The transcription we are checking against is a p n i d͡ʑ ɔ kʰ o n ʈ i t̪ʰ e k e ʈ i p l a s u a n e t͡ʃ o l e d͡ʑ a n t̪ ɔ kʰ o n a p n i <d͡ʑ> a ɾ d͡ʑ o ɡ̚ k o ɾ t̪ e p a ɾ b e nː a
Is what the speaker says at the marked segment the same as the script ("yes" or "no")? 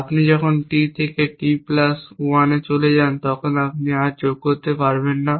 no